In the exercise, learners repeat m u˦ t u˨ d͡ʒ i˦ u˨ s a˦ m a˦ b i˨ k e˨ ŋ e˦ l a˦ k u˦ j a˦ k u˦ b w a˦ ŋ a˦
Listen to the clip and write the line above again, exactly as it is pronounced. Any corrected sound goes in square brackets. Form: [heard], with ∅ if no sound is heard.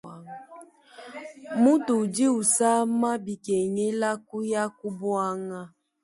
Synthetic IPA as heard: m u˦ t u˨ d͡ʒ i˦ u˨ s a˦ m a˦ b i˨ k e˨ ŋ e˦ l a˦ k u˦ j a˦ k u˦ b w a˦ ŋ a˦